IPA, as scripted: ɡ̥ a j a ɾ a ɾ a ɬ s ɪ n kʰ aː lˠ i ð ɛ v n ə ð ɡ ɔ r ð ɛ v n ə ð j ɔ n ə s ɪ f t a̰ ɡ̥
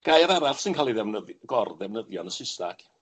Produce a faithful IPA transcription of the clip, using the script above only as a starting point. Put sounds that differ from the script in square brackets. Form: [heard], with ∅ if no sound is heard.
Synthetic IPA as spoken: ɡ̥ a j a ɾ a ɾ a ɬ s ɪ n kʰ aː lˠ i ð ɛ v n ə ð ɡ ɔ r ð ɛ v n ə ð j ɔ n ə s ɪ [s] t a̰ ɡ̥